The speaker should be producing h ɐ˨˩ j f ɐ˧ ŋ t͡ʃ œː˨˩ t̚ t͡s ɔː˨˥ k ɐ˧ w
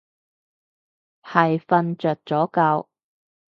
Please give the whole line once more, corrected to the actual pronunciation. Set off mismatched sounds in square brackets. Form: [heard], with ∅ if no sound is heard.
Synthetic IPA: h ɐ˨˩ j f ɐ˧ [n] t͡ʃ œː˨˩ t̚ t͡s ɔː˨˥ k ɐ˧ w